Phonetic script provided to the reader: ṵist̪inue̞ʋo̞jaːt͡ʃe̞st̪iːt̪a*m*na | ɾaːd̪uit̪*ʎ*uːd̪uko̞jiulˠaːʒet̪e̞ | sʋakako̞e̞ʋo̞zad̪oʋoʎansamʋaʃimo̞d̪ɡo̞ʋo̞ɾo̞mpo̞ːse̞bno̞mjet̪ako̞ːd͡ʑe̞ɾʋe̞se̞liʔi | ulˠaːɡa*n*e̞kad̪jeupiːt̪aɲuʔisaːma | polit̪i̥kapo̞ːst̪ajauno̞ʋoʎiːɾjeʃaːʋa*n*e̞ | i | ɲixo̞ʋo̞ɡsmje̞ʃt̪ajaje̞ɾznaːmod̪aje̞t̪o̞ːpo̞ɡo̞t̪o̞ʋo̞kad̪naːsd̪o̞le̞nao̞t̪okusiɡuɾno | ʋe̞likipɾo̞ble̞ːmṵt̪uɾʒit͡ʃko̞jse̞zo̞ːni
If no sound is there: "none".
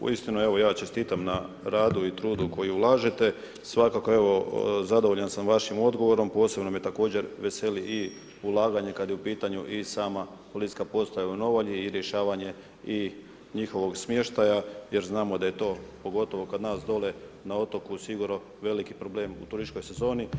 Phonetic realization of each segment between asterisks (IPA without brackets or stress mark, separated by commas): m, ɾ, ɲ, ɲ